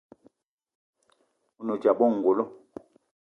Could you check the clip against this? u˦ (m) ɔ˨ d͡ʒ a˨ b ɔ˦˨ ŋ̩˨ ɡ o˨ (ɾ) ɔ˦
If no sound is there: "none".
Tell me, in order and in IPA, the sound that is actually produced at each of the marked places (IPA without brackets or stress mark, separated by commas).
n, l